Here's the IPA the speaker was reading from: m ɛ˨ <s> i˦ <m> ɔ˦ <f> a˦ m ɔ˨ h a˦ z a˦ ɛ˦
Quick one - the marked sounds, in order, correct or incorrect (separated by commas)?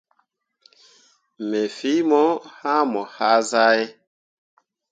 incorrect, correct, incorrect